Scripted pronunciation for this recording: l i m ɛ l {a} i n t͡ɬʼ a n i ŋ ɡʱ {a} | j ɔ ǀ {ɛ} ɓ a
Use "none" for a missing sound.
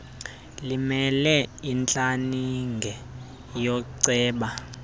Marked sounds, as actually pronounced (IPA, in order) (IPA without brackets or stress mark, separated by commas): ɛ, ɛ, ɛː